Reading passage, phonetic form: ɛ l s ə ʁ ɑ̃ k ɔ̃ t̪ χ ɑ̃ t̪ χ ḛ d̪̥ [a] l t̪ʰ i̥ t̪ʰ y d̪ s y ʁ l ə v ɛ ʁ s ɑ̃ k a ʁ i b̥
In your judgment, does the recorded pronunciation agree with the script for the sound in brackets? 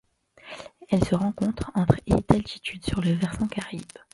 yes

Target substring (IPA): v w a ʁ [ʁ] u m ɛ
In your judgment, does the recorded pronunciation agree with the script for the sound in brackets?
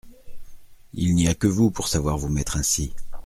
no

